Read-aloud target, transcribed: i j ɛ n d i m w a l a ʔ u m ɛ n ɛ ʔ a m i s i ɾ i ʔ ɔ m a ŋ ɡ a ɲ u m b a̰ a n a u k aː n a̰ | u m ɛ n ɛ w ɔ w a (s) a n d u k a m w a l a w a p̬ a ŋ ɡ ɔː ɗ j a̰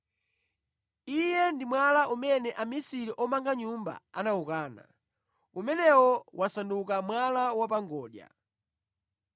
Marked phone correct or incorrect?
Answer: correct